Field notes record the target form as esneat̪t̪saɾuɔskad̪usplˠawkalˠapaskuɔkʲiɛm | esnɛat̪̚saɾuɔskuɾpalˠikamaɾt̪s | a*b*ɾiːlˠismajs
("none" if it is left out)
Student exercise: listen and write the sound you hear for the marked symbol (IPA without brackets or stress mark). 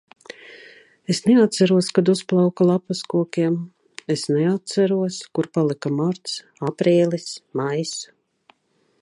p